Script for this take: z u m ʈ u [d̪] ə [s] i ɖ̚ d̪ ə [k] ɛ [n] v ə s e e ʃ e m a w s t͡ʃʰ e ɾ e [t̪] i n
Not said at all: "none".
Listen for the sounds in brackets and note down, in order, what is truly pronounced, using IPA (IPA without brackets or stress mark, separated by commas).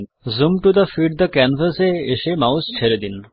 d̪, f, k, n, d̪